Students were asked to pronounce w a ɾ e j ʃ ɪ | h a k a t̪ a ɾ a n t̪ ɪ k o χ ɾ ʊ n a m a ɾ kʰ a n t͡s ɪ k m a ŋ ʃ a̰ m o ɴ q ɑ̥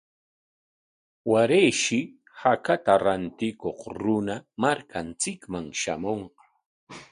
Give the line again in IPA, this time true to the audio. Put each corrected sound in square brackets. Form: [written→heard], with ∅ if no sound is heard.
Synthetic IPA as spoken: w a ɾ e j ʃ ɪ | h a k a t̪ a ɾ a n t̪ ɪ k o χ ɾ ʊ n a m a ɾ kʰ a n t͡s ɪ k m a ŋ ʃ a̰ m o ɴ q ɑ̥